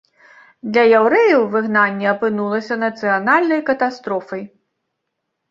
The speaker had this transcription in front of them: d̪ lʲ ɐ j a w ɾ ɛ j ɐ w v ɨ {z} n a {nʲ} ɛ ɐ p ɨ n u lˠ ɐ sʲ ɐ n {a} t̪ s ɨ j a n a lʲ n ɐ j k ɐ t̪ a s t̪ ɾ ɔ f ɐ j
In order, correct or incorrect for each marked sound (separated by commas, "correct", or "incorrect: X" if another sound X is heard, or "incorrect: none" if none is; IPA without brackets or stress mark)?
incorrect: ɣ, incorrect: nʲː, incorrect: ɐ